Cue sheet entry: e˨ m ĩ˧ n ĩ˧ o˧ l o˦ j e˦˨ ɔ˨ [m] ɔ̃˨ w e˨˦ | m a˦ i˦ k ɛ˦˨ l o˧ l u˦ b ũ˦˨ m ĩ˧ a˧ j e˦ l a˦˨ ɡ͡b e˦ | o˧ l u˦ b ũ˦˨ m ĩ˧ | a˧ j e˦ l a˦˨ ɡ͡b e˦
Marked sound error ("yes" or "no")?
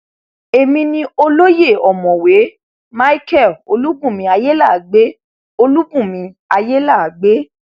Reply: no